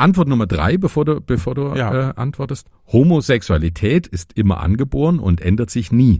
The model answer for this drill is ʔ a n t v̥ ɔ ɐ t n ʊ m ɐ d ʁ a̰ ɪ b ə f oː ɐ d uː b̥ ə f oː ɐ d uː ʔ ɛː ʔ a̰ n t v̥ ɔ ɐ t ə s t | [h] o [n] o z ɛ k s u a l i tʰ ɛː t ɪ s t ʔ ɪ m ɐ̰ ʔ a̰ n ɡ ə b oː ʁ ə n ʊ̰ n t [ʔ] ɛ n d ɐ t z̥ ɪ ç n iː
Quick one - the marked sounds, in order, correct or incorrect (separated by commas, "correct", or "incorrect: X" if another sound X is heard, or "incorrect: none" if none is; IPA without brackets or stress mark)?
correct, incorrect: m, correct